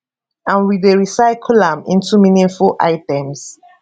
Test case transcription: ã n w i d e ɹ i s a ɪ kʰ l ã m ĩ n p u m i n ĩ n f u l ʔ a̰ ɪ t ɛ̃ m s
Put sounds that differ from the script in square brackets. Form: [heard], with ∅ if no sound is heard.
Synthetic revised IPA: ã n w i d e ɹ i s a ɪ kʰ l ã m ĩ n [t] u m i n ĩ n f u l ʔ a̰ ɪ t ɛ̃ m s